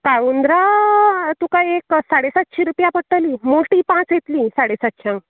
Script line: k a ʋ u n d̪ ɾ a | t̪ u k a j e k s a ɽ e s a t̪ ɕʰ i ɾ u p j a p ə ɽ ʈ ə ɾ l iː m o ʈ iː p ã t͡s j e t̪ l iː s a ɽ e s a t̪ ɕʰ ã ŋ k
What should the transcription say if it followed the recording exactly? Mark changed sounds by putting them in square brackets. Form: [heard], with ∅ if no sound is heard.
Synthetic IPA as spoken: k a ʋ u n d̪ ɾ a | t̪ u k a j e k s a ɽ e s a t̪ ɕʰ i ɾ u p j a p ə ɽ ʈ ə [∅] l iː m o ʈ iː p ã t͡s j e t̪ l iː s a ɽ e s a t̪ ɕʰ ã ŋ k